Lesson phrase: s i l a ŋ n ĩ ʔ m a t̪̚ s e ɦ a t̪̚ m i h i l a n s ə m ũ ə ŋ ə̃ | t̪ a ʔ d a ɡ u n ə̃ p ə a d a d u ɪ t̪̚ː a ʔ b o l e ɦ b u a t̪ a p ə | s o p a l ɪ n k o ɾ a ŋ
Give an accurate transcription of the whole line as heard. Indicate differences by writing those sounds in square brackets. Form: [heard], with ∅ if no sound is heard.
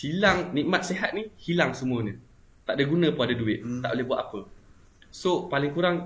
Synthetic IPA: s i l a ŋ n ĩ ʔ m a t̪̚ s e ɦ a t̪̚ [n] i h i l a [ŋ] s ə m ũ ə [ɲ] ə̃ | t̪ a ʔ d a ɡ u n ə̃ p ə a d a d u ɪ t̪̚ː a ʔ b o l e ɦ b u a t̪ a p ə | s o p a l ɪ [ŋ] k [u] ɾ a ŋ